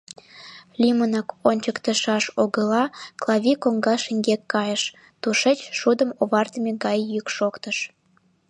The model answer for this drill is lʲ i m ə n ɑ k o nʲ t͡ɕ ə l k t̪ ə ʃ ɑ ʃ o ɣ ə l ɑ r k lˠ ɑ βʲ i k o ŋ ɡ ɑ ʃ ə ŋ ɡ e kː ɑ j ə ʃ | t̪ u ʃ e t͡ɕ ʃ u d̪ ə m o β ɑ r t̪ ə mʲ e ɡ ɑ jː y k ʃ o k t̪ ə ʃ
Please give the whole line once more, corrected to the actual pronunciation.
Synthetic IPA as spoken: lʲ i m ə n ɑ k o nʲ t͡ɕ ə k t̪ ə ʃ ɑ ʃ o ɣ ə l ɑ k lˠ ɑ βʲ i k o ŋ ɡ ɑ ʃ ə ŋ ɡ e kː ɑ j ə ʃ | t̪ u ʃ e t͡ɕ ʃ u d̪ ə m o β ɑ r t̪ ə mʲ e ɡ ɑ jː y k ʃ o k t̪ ə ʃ